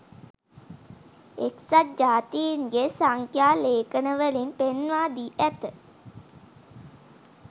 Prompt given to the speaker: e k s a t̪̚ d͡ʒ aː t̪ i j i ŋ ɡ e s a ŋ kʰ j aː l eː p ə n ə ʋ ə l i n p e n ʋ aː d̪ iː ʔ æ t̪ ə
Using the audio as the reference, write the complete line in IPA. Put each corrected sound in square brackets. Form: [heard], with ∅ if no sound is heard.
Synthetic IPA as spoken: e k s a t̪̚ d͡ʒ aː t̪ i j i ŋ ɡ e s a ŋ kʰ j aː l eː [k] ə n ə ʋ ə l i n p e n ʋ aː d̪ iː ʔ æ t̪ ə